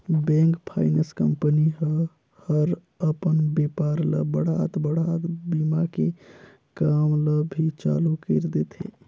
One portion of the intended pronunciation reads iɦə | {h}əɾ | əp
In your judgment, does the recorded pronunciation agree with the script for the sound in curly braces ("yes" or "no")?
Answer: yes